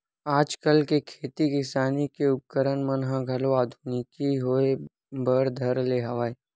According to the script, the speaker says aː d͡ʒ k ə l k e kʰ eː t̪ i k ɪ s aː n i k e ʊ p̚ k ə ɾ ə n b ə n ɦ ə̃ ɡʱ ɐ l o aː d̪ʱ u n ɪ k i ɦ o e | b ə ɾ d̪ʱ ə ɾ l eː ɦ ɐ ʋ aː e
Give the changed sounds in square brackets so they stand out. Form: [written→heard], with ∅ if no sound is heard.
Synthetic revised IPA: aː d͡ʒ k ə l k e kʰ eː t̪ i k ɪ s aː n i k e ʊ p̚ k ə ɾ ə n [b→m] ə n ɦ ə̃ ɡʱ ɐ l o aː d̪ʱ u n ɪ k i ɦ o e | b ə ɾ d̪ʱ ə ɾ l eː ɦ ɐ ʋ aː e

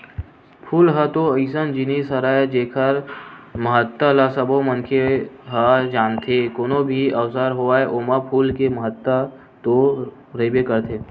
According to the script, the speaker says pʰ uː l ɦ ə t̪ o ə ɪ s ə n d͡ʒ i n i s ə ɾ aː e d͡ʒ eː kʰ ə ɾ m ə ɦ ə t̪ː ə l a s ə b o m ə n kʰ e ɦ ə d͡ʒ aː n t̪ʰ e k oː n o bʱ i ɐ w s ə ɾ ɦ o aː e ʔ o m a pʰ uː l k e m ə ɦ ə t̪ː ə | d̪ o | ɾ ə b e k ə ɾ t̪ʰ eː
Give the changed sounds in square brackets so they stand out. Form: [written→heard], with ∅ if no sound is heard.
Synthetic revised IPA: pʰ uː l ɦ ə t̪ o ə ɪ s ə n d͡ʒ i n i s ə ɾ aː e d͡ʒ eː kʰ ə ɾ m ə ɦ ə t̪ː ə l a s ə b o m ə n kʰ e ɦ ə d͡ʒ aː n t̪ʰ e k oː n o bʱ i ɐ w s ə ɾ ɦ o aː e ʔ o m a pʰ uː l k e m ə ɦ ə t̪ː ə | [d̪→t̪] o | ɾ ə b e k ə ɾ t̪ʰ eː

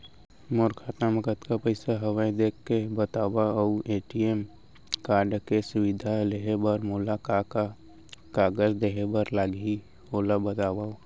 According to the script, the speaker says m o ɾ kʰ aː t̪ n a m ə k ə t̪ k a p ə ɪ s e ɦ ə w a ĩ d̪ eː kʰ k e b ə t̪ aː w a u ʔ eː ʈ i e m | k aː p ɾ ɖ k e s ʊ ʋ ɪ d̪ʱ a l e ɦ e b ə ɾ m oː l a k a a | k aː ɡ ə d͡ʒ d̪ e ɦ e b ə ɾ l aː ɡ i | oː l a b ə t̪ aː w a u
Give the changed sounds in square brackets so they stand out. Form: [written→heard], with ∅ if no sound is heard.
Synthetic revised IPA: m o ɾ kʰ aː t̪ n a m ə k ə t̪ k a p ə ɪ s [e→a] ɦ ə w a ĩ d̪ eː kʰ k e b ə t̪ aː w a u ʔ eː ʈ i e m | k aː [p→∅] ɾ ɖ k e s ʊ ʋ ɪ d̪ʱ a l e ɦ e b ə ɾ m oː l a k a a | k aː ɡ ə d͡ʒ d̪ e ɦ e b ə ɾ l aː ɡ i | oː l a b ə t̪ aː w a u

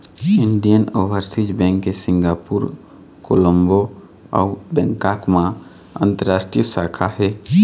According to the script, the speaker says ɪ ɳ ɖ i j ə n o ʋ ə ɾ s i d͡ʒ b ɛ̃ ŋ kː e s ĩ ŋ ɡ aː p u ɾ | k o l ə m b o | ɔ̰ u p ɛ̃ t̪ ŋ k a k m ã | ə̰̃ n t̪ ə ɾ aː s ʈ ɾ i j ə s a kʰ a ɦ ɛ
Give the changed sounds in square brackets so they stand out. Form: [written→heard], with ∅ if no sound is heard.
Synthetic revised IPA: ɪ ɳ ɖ i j ə n o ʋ ə ɾ s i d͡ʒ b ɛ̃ ŋ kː e s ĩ ŋ ɡ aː p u ɾ | k o l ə m b o | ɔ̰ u [p→b] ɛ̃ [t̪→∅] ŋ k a k m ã | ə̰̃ n t̪ ə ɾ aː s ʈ ɾ i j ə s a kʰ a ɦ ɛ

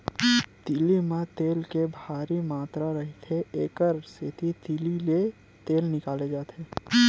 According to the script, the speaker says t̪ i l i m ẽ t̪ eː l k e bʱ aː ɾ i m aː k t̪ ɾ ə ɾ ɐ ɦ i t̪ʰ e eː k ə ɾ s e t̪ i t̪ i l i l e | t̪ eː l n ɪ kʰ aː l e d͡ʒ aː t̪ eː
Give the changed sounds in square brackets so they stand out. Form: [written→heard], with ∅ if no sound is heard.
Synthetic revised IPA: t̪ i l i m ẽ t̪ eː l k e bʱ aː ɾ i m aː [k→∅] t̪ ɾ [ə→a] ɾ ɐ ɦ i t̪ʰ e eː k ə ɾ s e t̪ i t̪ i l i l e | t̪ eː l n ɪ [kʰ→k] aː l e d͡ʒ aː t̪ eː

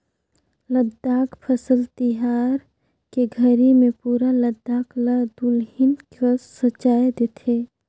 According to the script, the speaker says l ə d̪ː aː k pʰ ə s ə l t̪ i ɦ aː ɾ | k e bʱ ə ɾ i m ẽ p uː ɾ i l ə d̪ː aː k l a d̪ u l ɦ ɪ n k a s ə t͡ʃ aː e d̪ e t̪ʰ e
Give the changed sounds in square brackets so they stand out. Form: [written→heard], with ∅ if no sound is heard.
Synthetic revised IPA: l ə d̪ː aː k pʰ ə s ə l t̪ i ɦ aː ɾ | k e [bʱ→ɡʱ] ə ɾ i m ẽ p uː ɾ [i→a] l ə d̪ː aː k l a d̪ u l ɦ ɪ n k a s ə t͡ʃ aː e d̪ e t̪ʰ e

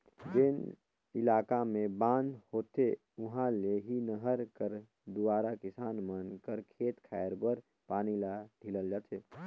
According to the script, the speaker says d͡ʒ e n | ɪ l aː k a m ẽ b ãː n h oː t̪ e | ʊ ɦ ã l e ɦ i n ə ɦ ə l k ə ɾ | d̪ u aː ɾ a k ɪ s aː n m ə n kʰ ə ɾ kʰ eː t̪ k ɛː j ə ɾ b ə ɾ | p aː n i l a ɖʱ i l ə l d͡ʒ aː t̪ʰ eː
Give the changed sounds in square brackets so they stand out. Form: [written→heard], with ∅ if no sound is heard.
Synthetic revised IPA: d͡ʒ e n | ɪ l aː k a m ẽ b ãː n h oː t̪ e | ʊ ɦ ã l e ɦ i n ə ɦ ə [l→ɾ] k ə ɾ | d̪ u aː ɾ a k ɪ s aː n m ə n [kʰ→k] ə ɾ kʰ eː t̪ [k→kʰ] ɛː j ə ɾ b ə ɾ | p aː n i l a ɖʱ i l ə l d͡ʒ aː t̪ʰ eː

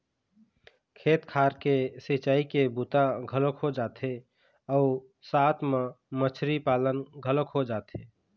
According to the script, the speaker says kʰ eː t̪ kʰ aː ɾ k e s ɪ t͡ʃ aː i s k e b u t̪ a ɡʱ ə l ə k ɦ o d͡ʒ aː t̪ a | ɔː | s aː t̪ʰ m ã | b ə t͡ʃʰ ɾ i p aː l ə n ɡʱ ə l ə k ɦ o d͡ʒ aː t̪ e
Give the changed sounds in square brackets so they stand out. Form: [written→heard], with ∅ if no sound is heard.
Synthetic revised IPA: kʰ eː t̪ kʰ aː ɾ k e s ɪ t͡ʃ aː i [s→∅] k e b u t̪ a ɡʱ ə l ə k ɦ o d͡ʒ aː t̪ [a→e] | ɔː | s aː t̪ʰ m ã | [b→m] ə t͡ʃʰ ɾ i p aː l ə n ɡʱ ə l ə k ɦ o d͡ʒ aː t̪ e

